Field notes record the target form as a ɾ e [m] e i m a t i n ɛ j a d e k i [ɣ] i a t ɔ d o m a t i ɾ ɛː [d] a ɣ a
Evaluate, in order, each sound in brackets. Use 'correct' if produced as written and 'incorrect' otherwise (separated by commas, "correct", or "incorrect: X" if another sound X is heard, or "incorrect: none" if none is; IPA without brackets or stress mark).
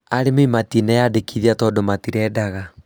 correct, incorrect: ð, correct